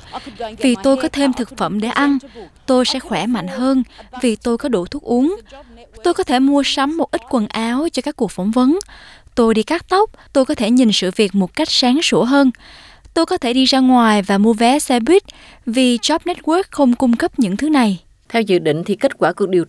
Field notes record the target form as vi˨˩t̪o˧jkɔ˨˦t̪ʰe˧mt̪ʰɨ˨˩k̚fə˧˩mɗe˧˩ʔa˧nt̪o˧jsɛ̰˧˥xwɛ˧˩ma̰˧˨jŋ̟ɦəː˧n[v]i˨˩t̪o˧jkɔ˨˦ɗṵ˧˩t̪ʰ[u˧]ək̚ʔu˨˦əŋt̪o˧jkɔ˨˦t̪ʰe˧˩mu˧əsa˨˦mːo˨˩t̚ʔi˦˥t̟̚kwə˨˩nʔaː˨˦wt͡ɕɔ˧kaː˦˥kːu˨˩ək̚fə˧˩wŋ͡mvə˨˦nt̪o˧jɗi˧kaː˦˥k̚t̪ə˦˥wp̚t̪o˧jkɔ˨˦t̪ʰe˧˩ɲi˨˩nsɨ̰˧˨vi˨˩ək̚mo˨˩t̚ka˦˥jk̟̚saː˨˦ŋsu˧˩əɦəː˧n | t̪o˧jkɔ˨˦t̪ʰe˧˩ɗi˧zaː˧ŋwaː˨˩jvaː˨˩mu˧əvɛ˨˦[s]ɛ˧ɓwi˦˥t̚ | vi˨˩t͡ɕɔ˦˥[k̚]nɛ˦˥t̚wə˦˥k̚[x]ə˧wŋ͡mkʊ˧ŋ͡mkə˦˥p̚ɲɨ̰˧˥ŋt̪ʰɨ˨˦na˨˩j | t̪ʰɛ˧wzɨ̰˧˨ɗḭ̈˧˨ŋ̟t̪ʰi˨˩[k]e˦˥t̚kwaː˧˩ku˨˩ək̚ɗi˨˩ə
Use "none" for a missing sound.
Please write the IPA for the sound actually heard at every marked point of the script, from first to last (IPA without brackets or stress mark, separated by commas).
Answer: v, u˦˥, s, p̚, x, k